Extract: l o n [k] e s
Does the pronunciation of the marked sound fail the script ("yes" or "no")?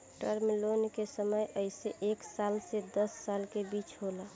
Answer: no